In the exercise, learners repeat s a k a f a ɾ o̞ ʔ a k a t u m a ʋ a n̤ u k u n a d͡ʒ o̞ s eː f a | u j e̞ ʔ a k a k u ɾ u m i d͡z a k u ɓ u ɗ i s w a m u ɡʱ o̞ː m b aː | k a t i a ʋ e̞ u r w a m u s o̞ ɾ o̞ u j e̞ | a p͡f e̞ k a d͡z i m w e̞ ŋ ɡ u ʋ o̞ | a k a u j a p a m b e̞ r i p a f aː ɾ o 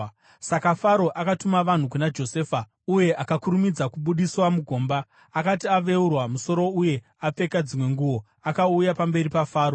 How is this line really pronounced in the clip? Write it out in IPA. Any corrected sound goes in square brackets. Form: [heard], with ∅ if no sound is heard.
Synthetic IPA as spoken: s a k a f a ɾ o̞ ʔ a k a t u m a ʋ a n̤ u k u n a d͡ʒ o̞ s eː f a | u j e̞ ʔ a k a k u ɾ u m i d͡z a k u ɓ u ɗ i s w a m u ɡʱ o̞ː m b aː | k a t i a ʋ e̞ u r w a m u s o̞ ɾ o̞ u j e̞ | a p͡f e̞ k a d͡z i m w e̞ ŋ ɡ u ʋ o̞ | a k a u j a p a m b e̞ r i p a f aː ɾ o